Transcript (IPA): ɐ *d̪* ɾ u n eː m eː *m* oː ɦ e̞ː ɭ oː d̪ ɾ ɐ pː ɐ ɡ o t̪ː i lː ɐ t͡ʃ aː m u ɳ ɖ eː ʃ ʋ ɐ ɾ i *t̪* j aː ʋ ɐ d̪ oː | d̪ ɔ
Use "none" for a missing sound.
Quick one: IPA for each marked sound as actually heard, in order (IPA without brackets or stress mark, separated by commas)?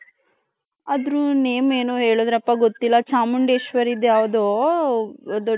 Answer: d̪, n, d̪